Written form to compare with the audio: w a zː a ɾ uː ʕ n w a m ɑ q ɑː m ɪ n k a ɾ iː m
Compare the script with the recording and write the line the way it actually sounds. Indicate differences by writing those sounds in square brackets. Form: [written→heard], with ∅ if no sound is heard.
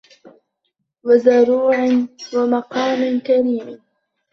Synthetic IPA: w a [zː→z] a ɾ uː ʕ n w a m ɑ q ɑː m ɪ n k a ɾ iː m